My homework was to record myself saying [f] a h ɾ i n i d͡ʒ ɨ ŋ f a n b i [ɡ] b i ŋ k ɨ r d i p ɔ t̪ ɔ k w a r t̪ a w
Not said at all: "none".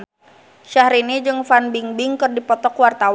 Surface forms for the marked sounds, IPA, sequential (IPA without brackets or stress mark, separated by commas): ʃ, ŋ